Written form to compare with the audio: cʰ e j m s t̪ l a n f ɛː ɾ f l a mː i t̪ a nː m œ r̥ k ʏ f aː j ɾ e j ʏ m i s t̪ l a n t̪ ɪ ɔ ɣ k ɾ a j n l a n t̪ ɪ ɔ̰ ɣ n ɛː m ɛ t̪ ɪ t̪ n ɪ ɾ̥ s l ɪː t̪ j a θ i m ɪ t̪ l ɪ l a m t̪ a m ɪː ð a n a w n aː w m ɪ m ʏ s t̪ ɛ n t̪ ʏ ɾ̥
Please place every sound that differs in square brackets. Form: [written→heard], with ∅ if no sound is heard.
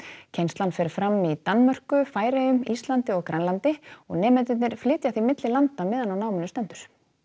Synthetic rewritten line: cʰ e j [m→n] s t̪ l a n f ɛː ɾ f [l→ɾ] a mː i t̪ a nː m œ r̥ k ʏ f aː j ɾ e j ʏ m i s t̪ l a n t̪ ɪ ɔ ɣ k ɾ a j n l a n t̪ ɪ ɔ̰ ɣ n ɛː m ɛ t̪ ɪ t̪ n ɪ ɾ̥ [s→f] l ɪː t̪ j a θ i m ɪ t̪ l ɪ l a [m→n] t̪ a m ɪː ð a n a w n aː w m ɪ [m→n] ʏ s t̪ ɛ n t̪ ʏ ɾ̥